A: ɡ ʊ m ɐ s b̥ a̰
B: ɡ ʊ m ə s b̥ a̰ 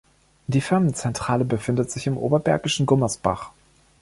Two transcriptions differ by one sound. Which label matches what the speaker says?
A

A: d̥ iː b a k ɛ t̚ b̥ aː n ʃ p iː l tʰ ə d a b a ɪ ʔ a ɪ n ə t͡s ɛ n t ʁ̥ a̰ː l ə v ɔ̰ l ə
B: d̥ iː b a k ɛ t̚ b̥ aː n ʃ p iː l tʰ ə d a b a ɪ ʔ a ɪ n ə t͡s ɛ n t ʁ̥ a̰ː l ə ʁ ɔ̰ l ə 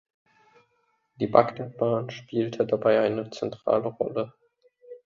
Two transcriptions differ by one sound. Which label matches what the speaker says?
B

